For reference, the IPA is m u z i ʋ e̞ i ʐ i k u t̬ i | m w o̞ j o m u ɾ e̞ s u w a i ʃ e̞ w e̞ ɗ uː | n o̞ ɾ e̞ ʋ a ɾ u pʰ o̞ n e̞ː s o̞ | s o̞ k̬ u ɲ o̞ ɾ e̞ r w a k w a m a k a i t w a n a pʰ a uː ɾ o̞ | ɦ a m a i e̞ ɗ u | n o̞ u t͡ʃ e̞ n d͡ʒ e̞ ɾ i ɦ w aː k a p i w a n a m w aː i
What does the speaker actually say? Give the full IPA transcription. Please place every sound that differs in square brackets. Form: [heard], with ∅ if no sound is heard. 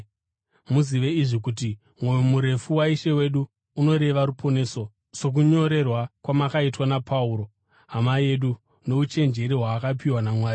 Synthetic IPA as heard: m u z i ʋ e̞ i ʐ i k u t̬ i | m w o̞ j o m u ɾ e̞ [f] u w a i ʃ e̞ w e̞ ɗ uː | n o̞ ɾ e̞ ʋ a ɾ u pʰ o̞ n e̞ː s o̞ | s o̞ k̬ u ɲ o̞ ɾ e̞ r w a k w a m a k a i t w a n a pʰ a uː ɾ o̞ | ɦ a m a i e̞ ɗ u | n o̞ u t͡ʃ e̞ n d͡ʒ e̞ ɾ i ɦ w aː k a p i w a n a m w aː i